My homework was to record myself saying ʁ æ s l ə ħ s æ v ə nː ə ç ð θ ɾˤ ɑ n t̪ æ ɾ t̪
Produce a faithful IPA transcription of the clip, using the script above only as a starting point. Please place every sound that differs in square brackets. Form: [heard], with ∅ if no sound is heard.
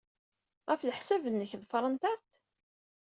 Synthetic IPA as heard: ʁ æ [f] l ə ħ s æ v ə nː ə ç ð [f] ɾˤ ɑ n t̪ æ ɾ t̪

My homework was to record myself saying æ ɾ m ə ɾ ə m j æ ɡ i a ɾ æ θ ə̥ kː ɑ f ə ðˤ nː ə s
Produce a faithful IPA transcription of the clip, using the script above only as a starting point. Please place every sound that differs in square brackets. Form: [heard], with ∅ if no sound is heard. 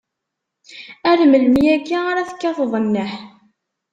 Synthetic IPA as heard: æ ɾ m ə [l] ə m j æ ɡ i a ɾ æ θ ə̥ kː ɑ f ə ðˤ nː ə [ħ]

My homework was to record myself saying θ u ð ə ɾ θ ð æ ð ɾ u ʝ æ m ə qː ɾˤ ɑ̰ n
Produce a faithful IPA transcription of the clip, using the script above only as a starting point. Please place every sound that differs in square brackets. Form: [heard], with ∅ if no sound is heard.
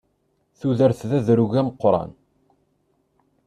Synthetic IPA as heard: θ u ð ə ɾ θ ð æ ð ɾ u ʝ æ m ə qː ɾˤ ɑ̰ n

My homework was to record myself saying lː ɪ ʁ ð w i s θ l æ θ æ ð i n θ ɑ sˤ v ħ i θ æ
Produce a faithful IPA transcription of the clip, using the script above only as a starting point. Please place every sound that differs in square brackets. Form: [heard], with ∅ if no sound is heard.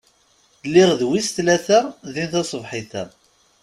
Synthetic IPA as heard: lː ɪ ʁ ð w i s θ l æ θ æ ð i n θ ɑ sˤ v ħ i θ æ

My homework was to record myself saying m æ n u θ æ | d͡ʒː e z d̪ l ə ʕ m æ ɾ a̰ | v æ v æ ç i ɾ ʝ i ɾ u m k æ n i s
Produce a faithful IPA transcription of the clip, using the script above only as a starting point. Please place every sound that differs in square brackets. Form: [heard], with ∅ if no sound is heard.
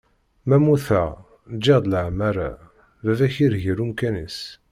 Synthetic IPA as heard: m æ [m] u θ æ | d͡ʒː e [ʁ] d̪ l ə ʕ m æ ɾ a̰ | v æ v æ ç i ɾ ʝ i ɾ u m k æ n i s

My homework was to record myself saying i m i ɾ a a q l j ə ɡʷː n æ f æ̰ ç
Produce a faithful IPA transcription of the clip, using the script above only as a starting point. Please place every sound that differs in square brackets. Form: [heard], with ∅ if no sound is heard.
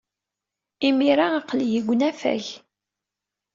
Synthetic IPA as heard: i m i ɾ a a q l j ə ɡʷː n æ f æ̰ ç

